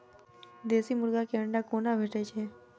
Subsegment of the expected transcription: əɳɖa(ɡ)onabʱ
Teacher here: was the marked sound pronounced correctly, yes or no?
no